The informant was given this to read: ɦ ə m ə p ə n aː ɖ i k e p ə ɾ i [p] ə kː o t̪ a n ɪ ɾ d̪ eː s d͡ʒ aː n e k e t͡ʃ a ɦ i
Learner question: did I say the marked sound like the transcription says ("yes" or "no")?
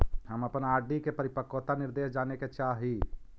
yes